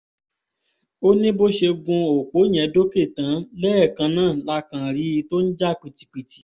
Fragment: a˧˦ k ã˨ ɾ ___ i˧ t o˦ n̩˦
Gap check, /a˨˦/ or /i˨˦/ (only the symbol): i˨˦